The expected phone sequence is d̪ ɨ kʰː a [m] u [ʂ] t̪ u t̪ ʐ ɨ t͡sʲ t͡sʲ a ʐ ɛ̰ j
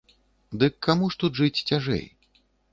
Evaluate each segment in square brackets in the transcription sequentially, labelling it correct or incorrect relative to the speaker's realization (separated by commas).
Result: correct, correct